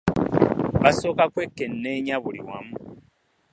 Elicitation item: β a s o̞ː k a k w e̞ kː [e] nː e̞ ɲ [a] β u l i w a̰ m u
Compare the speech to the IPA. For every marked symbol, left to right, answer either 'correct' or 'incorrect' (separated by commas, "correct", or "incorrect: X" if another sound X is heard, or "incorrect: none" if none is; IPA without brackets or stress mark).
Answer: correct, correct